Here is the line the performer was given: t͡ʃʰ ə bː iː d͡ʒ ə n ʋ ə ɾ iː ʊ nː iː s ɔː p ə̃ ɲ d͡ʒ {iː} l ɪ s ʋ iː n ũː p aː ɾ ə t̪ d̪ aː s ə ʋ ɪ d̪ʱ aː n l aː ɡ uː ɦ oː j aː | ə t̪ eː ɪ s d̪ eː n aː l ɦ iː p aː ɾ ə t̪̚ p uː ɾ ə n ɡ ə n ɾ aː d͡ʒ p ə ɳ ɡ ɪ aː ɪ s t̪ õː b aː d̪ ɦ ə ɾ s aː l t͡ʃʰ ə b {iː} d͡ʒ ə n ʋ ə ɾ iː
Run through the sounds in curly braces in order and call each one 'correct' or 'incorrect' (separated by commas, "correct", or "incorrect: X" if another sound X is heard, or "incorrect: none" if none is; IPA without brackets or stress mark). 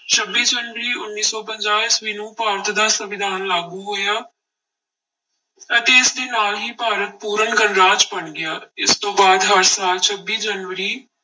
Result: incorrect: aː, correct